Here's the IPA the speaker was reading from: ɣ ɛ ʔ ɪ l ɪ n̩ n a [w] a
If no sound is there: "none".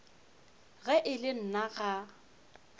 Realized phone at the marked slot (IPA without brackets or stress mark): ɣ